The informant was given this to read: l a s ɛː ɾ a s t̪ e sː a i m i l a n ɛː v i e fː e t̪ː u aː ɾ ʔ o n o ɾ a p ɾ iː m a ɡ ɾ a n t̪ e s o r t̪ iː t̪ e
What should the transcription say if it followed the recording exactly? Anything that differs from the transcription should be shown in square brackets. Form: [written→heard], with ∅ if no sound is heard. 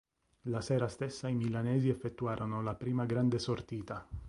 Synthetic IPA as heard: l a s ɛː ɾ a s t̪ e sː a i m i l a n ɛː [v→z] i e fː e t̪ː u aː ɾ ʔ o n o [ɾ→l] a p ɾ iː m a ɡ ɾ a n [t̪→d̪] e s o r t̪ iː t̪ [e→a]

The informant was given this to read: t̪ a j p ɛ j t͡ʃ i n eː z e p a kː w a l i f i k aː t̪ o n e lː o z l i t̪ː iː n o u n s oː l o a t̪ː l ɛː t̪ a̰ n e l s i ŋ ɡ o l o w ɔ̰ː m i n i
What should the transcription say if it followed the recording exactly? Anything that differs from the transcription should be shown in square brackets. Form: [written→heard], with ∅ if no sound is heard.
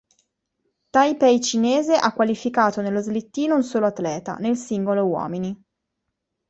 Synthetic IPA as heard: t̪ a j p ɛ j t͡ʃ i n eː z e [p→ʔ] a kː w a l i f i k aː t̪ o n e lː o z l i t̪ː iː n o u n s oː l o a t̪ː l ɛː t̪ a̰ n e l s i ŋ ɡ o l o w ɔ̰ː m i n i

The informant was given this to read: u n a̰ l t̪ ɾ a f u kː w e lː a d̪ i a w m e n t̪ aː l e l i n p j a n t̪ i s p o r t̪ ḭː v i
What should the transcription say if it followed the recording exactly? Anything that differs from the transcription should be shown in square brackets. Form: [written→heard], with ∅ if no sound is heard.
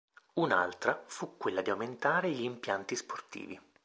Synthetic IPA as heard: u n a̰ l t̪ ɾ a f u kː w e lː a d̪ i a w m e n t̪ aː [l→ɾ] e [l→ʎ] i [n→m] p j a n t̪ i s p o r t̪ ḭː v i

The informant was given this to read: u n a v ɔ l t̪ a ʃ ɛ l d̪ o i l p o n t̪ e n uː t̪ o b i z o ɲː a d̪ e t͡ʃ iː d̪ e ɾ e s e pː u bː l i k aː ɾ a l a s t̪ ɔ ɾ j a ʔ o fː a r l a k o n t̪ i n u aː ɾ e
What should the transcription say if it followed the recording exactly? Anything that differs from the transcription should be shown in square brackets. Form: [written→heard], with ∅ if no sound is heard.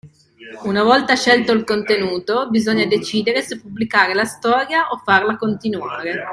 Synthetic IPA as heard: u n a v ɔ l t̪ a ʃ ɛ l [d̪→t̪] o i l [p→k] o n t̪ e n uː t̪ o b i z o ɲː a d̪ e t͡ʃ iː d̪ e ɾ e s e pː u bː l i k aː ɾ [a→e] l a s t̪ [ɔ→ɔː] ɾ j a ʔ o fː a r l a k o n t̪ i n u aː ɾ e

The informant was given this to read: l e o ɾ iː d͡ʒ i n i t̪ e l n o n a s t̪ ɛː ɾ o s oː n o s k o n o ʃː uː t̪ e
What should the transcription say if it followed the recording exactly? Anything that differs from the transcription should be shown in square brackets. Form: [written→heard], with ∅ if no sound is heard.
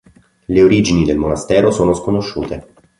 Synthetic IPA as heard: l e o ɾ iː d͡ʒ i n i [t̪→d̪] e l [n→m] o n a s t̪ ɛː ɾ o s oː n o s k o n o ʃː uː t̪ e

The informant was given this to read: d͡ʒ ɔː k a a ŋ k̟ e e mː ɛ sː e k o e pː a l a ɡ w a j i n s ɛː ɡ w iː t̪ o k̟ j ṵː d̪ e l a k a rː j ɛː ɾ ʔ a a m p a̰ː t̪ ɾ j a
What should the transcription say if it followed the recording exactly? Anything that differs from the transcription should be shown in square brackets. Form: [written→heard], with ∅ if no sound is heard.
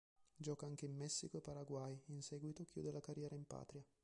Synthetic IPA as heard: d͡ʒ ɔː k a a ŋ k̟ e [e→i] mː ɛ sː [e→i] k o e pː a [l→ɾ] a ɡ w a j i n s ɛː ɡ w [iː→i] t̪ o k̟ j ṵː d̪ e l a k a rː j ɛː ɾ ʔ a [a→i] m p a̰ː t̪ ɾ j a

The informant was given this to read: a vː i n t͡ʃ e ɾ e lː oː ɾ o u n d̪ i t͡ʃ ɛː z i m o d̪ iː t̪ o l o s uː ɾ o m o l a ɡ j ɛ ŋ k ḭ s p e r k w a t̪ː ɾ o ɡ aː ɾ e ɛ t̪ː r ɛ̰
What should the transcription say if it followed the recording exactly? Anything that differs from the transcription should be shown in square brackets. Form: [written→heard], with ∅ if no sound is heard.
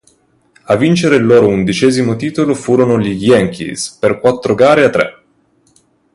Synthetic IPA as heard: a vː i n t͡ʃ e ɾ e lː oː ɾ o u n d̪ i t͡ʃ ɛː z i m o [d̪→t̪] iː t̪ o l o [s→f] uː ɾ o [m→n] o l [a→i] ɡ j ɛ ŋ k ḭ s p e r k w a t̪ː ɾ o ɡ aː ɾ e [ɛ→a] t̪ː [r→ɾ] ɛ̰

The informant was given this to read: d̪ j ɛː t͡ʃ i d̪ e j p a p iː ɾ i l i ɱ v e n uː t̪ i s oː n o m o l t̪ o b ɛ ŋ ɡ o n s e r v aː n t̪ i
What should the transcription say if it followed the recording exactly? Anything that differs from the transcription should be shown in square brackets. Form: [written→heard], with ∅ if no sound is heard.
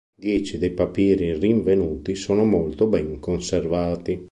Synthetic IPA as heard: d̪ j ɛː t͡ʃ i d̪ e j p a p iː ɾ i [l→r] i ɱ v e n uː t̪ i s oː n o m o l t̪ o b ɛ ŋ [ɡ→k] o n s e r v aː [n→∅] t̪ i

